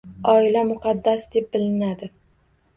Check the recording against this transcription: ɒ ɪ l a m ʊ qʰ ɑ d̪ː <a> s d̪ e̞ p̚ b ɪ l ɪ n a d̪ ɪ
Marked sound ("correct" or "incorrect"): correct